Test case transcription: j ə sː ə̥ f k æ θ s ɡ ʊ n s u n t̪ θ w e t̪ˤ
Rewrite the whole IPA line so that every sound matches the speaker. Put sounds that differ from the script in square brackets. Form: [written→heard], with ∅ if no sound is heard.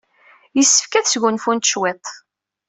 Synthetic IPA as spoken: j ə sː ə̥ f k æ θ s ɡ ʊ n [s→f] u n t̪ [θ→ʃ] w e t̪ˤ